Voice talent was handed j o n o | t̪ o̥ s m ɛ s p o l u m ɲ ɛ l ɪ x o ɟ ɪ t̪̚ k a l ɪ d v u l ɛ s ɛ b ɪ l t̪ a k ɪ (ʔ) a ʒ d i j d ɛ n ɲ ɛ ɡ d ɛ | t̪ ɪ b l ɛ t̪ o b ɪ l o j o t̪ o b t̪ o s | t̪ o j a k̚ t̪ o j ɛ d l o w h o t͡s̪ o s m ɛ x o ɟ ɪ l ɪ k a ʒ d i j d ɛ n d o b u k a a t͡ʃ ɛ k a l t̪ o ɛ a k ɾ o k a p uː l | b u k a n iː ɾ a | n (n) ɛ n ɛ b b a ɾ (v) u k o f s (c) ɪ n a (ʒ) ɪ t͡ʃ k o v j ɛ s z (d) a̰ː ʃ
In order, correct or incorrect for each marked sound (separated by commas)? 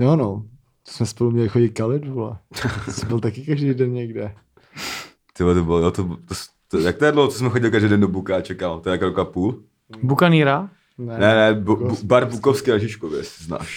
incorrect, correct, incorrect, incorrect, correct, incorrect